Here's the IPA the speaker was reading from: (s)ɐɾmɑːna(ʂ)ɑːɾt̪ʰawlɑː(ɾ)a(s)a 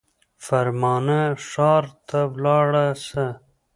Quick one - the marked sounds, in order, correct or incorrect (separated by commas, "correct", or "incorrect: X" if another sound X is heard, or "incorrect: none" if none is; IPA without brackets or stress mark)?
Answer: incorrect: f, correct, incorrect: ɽ, correct